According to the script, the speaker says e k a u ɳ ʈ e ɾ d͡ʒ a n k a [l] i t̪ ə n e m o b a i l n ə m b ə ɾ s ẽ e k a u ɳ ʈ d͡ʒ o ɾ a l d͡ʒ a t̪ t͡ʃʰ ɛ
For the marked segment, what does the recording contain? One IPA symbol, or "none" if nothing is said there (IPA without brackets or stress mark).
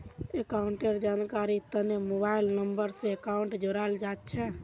ɾ